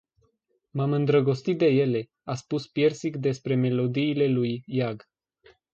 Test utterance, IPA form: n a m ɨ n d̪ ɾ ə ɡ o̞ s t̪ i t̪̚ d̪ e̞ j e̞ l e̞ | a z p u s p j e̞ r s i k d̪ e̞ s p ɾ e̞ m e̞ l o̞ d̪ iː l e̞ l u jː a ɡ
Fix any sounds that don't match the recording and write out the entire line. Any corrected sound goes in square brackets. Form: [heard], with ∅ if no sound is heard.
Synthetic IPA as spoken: [m] a m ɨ n d̪ ɾ ə ɡ o̞ s t̪ i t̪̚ d̪ e̞ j e̞ l e̞ | a [s] p u s p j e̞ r s i k d̪ e̞ s p ɾ e̞ m e̞ l o̞ d̪ iː l e̞ l u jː a ɡ